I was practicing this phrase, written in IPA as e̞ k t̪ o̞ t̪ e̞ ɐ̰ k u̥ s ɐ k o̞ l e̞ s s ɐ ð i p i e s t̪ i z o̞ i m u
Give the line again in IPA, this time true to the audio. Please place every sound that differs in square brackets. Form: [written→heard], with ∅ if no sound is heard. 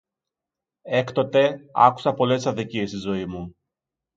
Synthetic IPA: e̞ k t̪ o̞ t̪ e̞ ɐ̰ k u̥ s ɐ [k→p] o̞ l e̞ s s ɐ ð i [p→c] i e s t̪ i z o̞ i m u